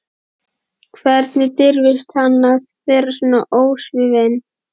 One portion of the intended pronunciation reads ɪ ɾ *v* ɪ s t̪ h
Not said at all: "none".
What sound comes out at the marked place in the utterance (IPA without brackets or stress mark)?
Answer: v